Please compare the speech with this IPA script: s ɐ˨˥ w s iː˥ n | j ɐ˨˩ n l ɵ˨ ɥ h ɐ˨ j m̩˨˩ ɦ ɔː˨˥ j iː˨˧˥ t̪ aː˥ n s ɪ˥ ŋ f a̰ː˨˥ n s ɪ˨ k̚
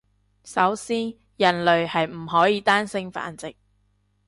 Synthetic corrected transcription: s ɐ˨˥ w s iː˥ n | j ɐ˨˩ n l ɵ˨ ɥ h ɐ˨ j m̩˨˩ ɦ ɔː˨˥ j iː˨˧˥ t̪ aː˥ n s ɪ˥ ŋ f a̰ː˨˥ n t͡s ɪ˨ k̚